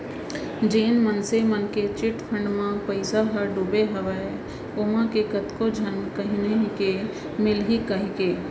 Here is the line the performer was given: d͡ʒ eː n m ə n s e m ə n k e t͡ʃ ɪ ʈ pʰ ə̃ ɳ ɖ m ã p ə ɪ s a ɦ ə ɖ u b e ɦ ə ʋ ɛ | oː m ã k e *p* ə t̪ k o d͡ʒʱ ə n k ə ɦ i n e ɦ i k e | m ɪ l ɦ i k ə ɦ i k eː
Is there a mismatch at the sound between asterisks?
yes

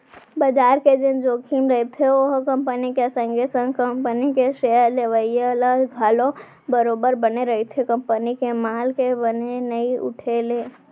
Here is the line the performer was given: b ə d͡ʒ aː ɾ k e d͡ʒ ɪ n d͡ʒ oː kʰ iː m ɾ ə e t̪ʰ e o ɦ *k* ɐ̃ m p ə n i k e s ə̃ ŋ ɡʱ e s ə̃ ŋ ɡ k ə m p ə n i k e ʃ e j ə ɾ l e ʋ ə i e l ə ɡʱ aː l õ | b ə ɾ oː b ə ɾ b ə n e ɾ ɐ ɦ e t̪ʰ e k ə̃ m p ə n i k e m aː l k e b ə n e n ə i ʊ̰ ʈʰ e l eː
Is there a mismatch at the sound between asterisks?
no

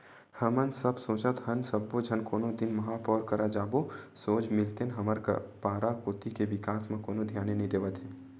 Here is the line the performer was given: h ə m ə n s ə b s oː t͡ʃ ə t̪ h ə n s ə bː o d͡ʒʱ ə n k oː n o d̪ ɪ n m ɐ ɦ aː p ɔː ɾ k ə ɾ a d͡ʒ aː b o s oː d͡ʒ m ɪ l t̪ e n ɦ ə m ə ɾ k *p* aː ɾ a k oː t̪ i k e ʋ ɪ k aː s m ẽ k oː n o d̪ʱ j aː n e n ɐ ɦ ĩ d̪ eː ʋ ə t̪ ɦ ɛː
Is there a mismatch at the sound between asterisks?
no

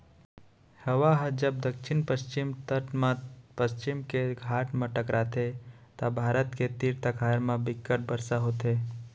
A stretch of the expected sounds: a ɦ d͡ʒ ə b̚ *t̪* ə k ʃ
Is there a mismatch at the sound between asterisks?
yes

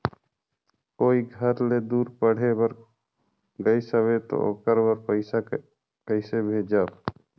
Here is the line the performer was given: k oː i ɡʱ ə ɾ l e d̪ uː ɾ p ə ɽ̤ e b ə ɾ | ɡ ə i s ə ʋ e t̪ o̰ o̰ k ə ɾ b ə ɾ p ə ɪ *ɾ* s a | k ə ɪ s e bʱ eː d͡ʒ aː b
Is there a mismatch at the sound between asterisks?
yes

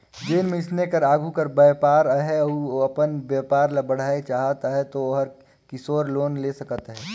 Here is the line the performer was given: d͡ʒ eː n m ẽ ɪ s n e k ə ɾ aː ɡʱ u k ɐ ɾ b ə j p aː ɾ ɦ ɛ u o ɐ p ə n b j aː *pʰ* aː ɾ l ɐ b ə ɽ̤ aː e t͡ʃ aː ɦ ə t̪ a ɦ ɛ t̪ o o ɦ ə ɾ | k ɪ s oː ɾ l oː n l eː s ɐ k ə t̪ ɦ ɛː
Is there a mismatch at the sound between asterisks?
yes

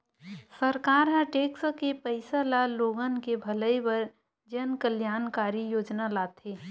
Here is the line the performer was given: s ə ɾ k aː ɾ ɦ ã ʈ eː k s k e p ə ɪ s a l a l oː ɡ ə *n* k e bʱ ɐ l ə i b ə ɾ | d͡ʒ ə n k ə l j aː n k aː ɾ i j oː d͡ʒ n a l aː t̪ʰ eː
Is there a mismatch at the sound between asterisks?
no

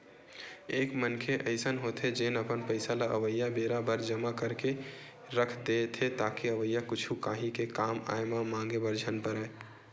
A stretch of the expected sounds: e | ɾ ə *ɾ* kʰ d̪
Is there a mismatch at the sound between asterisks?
yes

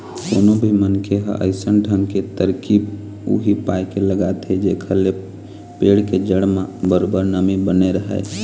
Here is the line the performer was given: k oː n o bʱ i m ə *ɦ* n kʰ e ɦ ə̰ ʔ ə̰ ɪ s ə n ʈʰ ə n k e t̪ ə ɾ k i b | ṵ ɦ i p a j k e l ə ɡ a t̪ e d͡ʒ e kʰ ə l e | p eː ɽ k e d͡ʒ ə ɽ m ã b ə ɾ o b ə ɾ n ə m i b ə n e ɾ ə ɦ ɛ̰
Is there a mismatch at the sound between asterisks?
yes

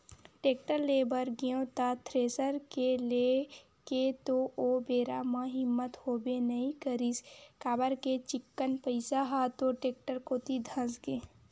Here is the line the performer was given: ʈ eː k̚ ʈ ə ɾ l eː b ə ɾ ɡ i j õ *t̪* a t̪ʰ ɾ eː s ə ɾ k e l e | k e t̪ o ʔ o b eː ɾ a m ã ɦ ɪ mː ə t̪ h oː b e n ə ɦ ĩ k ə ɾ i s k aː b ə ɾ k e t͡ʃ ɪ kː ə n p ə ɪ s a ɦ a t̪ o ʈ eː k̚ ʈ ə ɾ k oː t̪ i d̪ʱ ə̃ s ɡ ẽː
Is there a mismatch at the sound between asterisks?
no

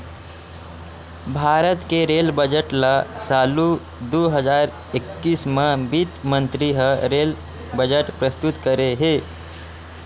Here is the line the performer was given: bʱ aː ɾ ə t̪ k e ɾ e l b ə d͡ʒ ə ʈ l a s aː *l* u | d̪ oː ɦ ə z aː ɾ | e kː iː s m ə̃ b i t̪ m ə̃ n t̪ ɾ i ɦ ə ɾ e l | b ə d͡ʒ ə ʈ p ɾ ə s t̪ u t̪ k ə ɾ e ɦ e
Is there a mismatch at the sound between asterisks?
no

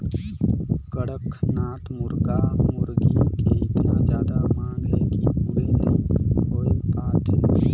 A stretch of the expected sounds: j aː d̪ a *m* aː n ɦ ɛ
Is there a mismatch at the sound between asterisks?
no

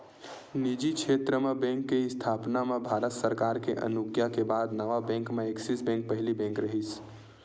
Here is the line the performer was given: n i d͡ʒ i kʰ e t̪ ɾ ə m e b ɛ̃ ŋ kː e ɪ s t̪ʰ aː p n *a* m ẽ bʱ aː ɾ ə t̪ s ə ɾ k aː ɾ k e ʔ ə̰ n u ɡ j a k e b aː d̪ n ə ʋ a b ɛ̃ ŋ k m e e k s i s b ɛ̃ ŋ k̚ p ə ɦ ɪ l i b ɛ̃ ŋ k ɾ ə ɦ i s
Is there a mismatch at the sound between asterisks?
no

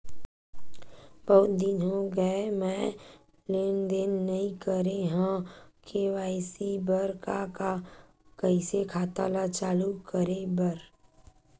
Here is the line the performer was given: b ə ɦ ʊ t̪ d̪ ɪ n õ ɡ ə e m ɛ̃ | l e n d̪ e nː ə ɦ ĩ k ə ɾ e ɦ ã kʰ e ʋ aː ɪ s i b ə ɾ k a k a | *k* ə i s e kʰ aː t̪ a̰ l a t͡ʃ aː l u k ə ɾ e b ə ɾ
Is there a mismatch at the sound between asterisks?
no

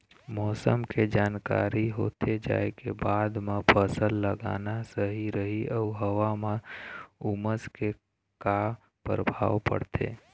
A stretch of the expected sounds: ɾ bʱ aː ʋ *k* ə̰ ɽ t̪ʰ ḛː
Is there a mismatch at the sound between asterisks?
yes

